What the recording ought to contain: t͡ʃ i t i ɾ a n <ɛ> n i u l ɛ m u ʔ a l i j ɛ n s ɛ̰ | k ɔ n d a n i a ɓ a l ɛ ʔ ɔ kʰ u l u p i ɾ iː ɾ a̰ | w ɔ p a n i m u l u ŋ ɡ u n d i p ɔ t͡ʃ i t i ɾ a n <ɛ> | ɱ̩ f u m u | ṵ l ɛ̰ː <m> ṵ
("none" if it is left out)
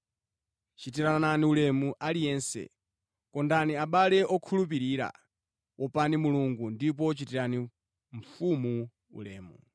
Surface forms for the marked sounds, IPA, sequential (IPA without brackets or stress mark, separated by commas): a, i, m